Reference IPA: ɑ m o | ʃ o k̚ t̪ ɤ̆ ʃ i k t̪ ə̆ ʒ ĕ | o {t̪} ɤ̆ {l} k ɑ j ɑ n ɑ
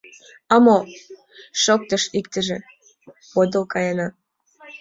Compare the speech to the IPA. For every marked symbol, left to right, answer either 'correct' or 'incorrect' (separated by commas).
incorrect, correct